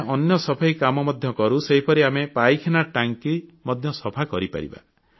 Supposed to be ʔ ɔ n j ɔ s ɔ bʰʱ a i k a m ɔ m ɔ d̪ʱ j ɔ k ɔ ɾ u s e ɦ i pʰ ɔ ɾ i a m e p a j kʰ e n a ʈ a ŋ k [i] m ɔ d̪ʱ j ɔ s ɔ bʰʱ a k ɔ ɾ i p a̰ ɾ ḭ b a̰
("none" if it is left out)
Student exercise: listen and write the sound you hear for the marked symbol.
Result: i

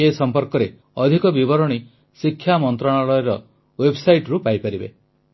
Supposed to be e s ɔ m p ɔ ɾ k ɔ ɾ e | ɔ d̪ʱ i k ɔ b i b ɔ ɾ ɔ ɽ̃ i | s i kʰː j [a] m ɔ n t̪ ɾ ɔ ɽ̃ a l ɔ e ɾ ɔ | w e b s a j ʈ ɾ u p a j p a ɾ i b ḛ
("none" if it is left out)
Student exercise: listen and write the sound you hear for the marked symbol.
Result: a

